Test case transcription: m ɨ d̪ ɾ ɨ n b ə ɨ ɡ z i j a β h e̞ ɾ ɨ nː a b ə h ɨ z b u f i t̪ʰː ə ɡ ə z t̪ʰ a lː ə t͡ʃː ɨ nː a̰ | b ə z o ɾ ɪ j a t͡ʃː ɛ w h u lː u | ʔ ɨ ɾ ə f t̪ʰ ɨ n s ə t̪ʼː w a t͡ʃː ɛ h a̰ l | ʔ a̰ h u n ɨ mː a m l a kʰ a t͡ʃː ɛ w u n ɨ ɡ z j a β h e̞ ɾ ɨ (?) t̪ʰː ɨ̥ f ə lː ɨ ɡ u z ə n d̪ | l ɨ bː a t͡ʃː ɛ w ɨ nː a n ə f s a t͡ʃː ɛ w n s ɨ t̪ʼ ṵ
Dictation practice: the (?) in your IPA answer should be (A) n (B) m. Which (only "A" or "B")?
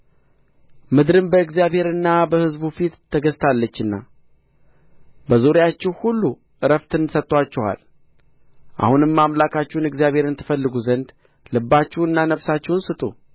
A